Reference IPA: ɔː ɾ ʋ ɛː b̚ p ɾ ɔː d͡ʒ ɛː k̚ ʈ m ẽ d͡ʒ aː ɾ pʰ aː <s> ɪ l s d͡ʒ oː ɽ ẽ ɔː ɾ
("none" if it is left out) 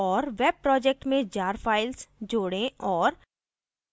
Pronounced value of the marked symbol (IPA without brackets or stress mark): none